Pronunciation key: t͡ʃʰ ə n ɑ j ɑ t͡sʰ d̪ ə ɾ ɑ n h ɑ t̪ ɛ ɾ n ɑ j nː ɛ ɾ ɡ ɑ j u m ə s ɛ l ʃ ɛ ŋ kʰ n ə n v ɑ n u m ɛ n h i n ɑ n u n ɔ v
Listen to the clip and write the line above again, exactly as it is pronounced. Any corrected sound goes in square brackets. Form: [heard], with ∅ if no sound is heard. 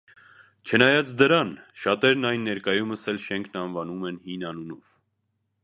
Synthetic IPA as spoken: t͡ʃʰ ə n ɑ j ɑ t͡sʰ d̪ ə ɾ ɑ n [ʃ] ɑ t̪ ɛ ɾ n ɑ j nː ɛ ɾ [k] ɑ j u m ə s ɛ l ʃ ɛ ŋ kʰ n [ɑ] n v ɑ n u m ɛ n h i n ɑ n u n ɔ v

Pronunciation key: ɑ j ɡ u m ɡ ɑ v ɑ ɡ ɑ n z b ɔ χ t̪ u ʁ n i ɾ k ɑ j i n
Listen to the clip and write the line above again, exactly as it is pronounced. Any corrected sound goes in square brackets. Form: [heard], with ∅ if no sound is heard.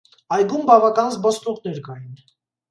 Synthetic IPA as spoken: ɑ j ɡ u m [b] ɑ v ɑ [k] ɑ n z b ɔ [s] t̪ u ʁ n [ɛ] ɾ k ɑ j i n

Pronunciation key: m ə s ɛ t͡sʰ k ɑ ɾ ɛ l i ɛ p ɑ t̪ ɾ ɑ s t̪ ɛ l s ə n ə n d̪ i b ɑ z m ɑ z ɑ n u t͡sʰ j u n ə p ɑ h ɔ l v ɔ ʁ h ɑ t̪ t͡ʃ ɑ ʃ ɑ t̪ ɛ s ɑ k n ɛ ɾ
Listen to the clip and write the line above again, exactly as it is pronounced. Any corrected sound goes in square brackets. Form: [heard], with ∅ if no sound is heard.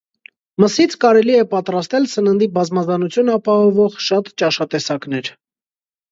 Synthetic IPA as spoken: m ə s [i] t͡sʰ k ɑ ɾ ɛ l i ɛ p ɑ t̪ ɾ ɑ s t̪ ɛ l s ə n ə n d̪ i b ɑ z m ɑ z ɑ n u t͡sʰ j u n [ɑ] p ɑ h ɔ [∅] v ɔ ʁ [ʃ] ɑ t̪ t͡ʃ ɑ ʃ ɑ t̪ ɛ s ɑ k n ɛ ɾ

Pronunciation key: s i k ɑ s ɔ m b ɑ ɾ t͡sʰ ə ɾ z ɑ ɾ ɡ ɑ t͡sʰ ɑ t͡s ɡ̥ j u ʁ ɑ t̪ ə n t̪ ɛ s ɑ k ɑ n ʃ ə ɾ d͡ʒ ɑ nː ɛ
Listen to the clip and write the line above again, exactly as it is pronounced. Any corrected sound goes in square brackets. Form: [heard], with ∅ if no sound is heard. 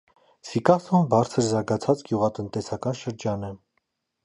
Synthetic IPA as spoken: s i k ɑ s ɔ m b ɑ ɾ t͡sʰ ə ɾ z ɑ ɾ ɡ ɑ t͡sʰ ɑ t͡s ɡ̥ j u ʁ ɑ t̪ ə n t̪ ɛ s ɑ k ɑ n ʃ ə ɾ d͡ʒ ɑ [n] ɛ

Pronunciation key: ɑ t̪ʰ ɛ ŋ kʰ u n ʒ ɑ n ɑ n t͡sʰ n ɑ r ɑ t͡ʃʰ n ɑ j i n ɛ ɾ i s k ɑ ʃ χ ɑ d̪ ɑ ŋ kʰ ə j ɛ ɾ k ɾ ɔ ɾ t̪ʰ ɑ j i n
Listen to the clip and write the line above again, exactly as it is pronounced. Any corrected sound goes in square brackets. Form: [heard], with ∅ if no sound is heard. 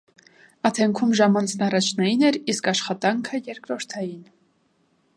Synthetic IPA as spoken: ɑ t̪ʰ ɛ ŋ kʰ u [m] ʒ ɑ [m] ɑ n t͡sʰ n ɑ r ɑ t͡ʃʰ n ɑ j i n ɛ ɾ i s k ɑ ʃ χ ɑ [t̪] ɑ ŋ kʰ ə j ɛ ɾ k ɾ ɔ ɾ t̪ʰ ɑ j i n

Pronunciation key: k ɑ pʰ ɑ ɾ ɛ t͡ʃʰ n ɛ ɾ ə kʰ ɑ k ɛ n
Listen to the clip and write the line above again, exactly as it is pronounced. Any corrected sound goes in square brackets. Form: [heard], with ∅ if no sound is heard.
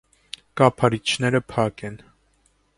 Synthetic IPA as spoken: k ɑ pʰ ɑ ɾ [i] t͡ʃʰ n ɛ ɾ ə [pʰ] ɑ k ɛ n

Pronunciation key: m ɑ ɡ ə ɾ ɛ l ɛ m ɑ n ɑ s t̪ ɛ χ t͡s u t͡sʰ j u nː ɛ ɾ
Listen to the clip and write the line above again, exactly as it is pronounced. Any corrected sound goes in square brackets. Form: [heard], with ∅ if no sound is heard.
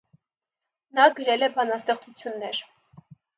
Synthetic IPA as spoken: [n] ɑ ɡ ə ɾ ɛ l ɛ [b] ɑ n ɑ s t̪ ɛ χ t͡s u t͡sʰ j u nː ɛ ɾ

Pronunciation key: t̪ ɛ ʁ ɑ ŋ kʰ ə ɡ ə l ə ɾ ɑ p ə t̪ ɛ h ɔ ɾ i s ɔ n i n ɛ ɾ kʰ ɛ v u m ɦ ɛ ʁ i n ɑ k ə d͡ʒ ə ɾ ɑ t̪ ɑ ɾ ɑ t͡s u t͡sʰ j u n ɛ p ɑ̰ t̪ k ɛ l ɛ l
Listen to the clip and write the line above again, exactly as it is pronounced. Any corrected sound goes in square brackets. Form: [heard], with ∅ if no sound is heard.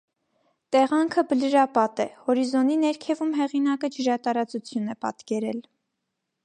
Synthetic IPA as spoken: t̪ ɛ ʁ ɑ ŋ kʰ ə [b] ə l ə ɾ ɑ p [ɑ] t̪ ɛ h ɔ ɾ i [z] ɔ n i n ɛ ɾ kʰ ɛ v u m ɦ ɛ ʁ i n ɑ k ə d͡ʒ ə ɾ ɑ t̪ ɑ ɾ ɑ t͡s u t͡sʰ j u n ɛ p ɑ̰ t̪ k ɛ [ɾ] ɛ l

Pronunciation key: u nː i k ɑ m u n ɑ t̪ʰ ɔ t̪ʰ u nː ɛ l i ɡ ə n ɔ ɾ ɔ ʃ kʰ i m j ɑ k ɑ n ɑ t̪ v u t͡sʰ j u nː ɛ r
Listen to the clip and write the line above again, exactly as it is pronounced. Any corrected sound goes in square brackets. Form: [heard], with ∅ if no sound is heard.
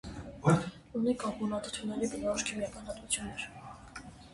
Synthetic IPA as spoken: u [n] i k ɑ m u n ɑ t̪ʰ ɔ t̪ʰ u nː ɛ [ɾ] i [b] ə n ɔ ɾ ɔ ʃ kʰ i m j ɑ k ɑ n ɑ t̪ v u t͡sʰ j u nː ɛ [ɾ]

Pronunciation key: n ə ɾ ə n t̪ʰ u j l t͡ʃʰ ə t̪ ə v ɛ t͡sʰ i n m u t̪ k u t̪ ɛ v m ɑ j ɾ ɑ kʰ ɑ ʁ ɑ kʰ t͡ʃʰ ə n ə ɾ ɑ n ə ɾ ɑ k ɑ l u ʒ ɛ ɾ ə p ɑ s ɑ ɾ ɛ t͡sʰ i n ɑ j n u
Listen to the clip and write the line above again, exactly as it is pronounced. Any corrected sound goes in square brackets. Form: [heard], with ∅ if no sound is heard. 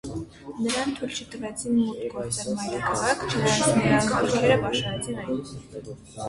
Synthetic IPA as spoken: n ə ɾ [ɑ] n t̪ʰ u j l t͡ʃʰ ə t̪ ə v ɛ t͡sʰ i n m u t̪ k [ɔ] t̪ ɛ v m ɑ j ɾ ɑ kʰ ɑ ʁ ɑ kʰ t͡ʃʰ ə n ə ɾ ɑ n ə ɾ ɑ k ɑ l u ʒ ɛ ɾ ə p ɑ [ʃ] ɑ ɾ ɛ t͡sʰ i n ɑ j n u

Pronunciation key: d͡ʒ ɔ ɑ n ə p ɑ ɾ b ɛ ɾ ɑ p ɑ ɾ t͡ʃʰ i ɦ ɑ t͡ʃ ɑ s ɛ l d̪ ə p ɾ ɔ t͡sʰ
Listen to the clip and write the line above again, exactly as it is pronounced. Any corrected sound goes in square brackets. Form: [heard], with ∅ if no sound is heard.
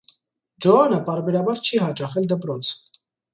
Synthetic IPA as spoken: d͡ʒ ɔ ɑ n ə p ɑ ɾ b ɛ ɾ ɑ [b] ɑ ɾ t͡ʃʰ i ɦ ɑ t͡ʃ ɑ [χ] ɛ l d̪ ə p ɾ ɔ t͡sʰ

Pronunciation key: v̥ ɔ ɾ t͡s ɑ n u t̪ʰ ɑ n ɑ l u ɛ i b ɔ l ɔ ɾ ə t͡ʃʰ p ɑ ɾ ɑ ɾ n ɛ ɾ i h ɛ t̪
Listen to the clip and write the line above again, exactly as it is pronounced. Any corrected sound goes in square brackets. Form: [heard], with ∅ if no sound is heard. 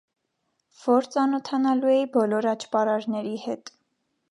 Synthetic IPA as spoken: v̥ ɔ ɾ t͡s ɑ n [ɔ] t̪ʰ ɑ n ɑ l u ɛ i b ɔ l ɔ ɾ [ɑ] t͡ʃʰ p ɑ ɾ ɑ ɾ n ɛ ɾ i h ɛ t̪

